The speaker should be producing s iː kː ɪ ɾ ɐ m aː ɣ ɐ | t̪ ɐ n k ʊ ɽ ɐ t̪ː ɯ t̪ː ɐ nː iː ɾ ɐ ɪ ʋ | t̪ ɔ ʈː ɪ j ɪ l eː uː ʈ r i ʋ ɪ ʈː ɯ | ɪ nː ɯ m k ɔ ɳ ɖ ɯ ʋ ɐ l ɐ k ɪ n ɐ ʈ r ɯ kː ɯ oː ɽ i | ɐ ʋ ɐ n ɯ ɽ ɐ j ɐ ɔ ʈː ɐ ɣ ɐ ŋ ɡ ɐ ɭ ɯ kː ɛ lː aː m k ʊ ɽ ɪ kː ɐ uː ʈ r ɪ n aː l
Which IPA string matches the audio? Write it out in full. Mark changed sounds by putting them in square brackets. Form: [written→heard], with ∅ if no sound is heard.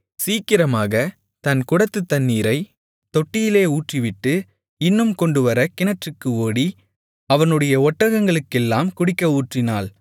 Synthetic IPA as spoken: s iː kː ɪ ɾ ɐ m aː ɣ ɐ | t̪ ɐ n k ʊ ɽ ɐ t̪ː ɯ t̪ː ɐ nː iː ɾ ɐ ɪ [ʋ→∅] | t̪ ɔ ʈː ɪ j ɪ l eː uː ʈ r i ʋ ɪ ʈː ɯ | ɪ nː ɯ m k ɔ ɳ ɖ ɯ ʋ ɐ [l→ɾ] ɐ k ɪ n ɐ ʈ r ɯ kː ɯ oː ɽ i | ɐ ʋ ɐ n ɯ ɽ ɐ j ɐ ɔ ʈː ɐ ɣ ɐ ŋ ɡ ɐ ɭ ɯ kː ɛ lː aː m k ʊ ɽ ɪ kː ɐ uː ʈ r ɪ n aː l

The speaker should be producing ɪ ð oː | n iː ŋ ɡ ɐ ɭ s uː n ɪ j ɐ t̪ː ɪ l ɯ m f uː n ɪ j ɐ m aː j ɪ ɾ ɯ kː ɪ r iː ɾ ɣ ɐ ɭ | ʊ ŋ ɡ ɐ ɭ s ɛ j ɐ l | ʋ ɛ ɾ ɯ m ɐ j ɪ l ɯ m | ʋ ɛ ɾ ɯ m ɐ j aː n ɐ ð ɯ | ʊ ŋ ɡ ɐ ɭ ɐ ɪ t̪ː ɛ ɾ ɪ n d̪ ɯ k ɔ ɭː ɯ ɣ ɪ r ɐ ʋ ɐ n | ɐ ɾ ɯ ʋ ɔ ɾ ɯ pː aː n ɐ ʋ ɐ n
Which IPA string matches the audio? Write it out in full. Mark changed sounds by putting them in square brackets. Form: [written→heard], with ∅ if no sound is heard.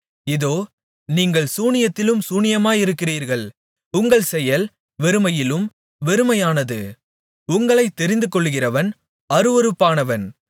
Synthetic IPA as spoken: ɪ ð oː | n iː ŋ ɡ ɐ ɭ s uː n ɪ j ɐ t̪ː ɪ l ɯ m [f→s] uː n ɪ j ɐ m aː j ɪ ɾ ɯ kː ɪ r iː ɾ ɣ ɐ ɭ | ʊ ŋ ɡ ɐ ɭ s ɛ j ɐ l | ʋ ɛ ɾ ɯ m ɐ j ɪ l ɯ m | ʋ ɛ ɾ ɯ m ɐ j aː n ɐ ð ɯ | ʊ ŋ ɡ ɐ ɭ ɐ ɪ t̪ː ɛ ɾ ɪ n d̪ ɯ k ɔ ɭː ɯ ɣ ɪ r ɐ ʋ ɐ n | ɐ ɾ ɯ ʋ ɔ ɾ ɯ pː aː n ɐ ʋ ɐ n

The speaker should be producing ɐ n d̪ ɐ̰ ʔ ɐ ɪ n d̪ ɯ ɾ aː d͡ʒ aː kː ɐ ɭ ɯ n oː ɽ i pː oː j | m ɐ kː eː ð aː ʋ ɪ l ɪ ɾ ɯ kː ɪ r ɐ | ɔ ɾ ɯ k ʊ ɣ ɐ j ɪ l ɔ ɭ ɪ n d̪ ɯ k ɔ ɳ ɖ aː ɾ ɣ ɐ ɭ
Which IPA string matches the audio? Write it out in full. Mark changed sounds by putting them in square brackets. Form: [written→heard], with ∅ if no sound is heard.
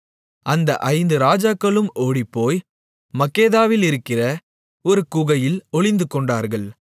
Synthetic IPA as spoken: ɐ n d̪ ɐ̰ ʔ ɐ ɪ n d̪ ɯ ɾ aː d͡ʒ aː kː ɐ ɭ ɯ [n→m] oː ɽ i pː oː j | m ɐ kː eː ð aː ʋ ɪ l ɪ ɾ ɯ kː ɪ r ɐ | ɔ ɾ ɯ k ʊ ɣ ɐ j ɪ l ɔ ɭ ɪ n d̪ ɯ k ɔ ɳ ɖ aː ɾ ɣ ɐ ɭ

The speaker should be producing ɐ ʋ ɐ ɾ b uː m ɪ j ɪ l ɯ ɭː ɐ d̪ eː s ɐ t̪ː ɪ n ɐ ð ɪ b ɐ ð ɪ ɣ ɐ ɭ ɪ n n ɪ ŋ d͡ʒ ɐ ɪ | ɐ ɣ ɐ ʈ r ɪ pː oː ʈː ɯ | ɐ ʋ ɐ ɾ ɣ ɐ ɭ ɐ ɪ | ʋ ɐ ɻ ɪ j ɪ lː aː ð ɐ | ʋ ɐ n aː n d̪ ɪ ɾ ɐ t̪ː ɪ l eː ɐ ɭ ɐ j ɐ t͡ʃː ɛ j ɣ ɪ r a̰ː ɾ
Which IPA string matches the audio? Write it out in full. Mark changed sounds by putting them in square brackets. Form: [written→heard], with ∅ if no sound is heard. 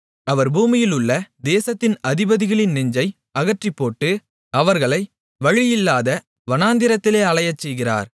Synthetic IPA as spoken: ɐ ʋ ɐ ɾ b uː m ɪ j ɪ l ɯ ɭː ɐ d̪ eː s ɐ t̪ː ɪ n ɐ ð ɪ b ɐ ð ɪ ɣ ɐ ɭ ɪ n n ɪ [ŋ→ɲ] d͡ʒ ɐ ɪ | ɐ ɣ ɐ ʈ r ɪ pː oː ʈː ɯ | ɐ ʋ ɐ ɾ ɣ ɐ ɭ ɐ ɪ | ʋ ɐ ɻ ɪ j ɪ lː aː ð ɐ | ʋ ɐ n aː n d̪ ɪ ɾ ɐ t̪ː ɪ l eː ɐ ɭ ɐ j ɐ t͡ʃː ɛ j ɣ ɪ r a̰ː ɾ

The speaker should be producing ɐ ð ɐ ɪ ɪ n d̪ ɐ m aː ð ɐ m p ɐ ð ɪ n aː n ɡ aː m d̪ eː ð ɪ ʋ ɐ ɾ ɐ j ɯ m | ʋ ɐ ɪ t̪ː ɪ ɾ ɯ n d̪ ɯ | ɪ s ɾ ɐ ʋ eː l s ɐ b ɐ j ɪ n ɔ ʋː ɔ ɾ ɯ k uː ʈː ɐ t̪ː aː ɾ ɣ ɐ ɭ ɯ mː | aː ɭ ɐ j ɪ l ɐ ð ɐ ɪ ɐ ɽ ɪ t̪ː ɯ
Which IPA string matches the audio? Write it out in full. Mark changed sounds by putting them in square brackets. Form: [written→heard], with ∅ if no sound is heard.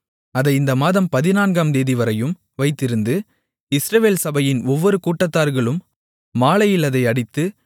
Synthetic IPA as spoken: ɐ ð ɐ ɪ ɪ n d̪ ɐ m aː ð ɐ m p ɐ ð ɪ n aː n ɡ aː m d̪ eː ð ɪ ʋ ɐ ɾ ɐ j ɯ m | ʋ ɐ ɪ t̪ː ɪ ɾ ɯ n d̪ ɯ | ɪ s ɾ ɐ ʋ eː l s ɐ b ɐ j ɪ n ɔ ʋː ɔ ɾ ɯ k uː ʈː ɐ t̪ː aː ɾ ɣ ɐ ɭ ɯ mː | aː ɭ ɐ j ɪ l ɐ ð ɐ ɪ ɐ ɽ ɪ t̪ː ɯ

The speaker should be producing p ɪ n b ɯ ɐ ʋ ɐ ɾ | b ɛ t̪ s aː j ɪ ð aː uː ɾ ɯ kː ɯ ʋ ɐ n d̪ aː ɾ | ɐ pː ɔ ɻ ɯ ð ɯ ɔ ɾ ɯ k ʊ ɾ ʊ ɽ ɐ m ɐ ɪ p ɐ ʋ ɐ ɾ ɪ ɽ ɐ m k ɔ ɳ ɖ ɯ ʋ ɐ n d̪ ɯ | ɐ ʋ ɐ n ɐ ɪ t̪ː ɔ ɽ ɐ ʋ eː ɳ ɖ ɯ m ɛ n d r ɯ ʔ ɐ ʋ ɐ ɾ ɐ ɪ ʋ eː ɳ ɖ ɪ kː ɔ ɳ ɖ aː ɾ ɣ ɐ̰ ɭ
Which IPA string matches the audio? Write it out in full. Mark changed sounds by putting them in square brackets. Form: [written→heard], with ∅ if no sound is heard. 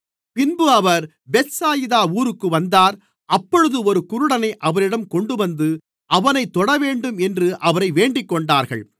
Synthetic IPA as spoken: p ɪ n b ɯ ɐ ʋ ɐ ɾ | b ɛ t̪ s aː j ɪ ð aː uː ɾ ɯ kː ɯ ʋ ɐ n d̪ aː ɾ | ɐ pː ɔ ɻ ɯ ð ɯ ɔ ɾ ɯ k ʊ ɾ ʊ ɽ ɐ [m→n] ɐ ɪ [p→ʔ] ɐ ʋ ɐ ɾ ɪ ɽ ɐ m k ɔ ɳ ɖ ɯ ʋ ɐ n d̪ ɯ | ɐ ʋ ɐ n ɐ ɪ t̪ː ɔ ɽ ɐ ʋ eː ɳ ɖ ɯ m ɛ n d r ɯ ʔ ɐ ʋ ɐ ɾ ɐ ɪ ʋ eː ɳ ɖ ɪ kː ɔ ɳ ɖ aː ɾ ɣ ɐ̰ ɭ

